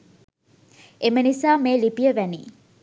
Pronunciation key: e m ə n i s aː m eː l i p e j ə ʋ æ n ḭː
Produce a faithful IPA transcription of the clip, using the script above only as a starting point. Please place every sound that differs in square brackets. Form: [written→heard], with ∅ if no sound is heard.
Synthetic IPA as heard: e m ə n i s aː m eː l i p [e→i] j ə ʋ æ n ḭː